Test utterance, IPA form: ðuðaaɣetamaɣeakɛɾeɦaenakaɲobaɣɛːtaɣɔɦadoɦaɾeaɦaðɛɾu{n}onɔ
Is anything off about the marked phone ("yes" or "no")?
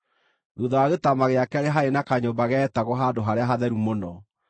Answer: yes